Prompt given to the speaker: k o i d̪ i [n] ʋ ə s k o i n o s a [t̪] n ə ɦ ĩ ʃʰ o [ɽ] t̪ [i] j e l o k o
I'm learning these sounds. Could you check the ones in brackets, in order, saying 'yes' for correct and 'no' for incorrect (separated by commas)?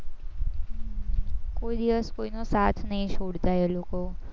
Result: no, no, yes, no